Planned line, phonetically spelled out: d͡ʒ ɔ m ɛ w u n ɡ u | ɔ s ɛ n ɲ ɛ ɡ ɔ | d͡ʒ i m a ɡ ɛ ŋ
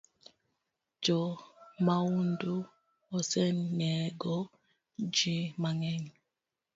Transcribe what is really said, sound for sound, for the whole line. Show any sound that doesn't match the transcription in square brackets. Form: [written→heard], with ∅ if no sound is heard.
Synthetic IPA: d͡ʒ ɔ m [ɛ→a] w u n [ɡ→d] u | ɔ s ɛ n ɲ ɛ ɡ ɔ | d͡ʒ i m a [ɡ→ŋ] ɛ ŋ